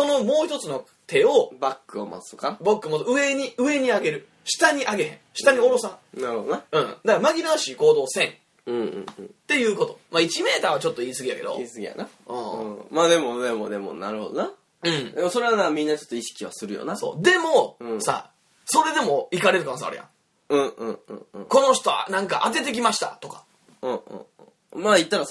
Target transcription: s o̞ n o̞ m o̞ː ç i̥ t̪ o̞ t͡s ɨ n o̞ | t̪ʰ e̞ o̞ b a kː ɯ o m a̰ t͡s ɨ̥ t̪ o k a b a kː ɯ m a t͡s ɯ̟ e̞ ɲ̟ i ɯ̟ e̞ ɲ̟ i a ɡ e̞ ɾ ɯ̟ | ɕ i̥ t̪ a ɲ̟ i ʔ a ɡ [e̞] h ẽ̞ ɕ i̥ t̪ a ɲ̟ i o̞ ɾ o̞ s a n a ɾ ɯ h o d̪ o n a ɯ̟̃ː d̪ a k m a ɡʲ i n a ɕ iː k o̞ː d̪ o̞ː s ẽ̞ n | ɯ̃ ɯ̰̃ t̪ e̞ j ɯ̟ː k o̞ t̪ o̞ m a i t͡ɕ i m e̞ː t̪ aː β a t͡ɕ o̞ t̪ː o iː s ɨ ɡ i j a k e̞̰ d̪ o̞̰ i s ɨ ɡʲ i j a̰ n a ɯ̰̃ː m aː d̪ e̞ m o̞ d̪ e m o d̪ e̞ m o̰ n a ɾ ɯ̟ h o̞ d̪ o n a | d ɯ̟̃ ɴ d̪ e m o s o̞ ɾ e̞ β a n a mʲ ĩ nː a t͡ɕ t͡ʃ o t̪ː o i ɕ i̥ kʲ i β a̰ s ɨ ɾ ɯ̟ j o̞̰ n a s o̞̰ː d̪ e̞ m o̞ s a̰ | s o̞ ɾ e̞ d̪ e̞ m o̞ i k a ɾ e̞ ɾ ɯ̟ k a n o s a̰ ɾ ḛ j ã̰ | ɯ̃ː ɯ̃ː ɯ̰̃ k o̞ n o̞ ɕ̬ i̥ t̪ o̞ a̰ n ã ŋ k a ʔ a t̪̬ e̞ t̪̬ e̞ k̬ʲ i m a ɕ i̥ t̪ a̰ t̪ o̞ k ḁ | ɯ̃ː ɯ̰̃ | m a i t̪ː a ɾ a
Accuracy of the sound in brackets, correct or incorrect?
correct